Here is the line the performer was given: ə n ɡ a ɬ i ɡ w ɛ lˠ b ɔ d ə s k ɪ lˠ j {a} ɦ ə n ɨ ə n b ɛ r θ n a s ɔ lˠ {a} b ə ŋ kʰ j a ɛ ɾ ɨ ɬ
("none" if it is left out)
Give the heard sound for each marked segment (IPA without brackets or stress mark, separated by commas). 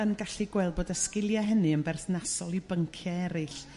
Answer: a, i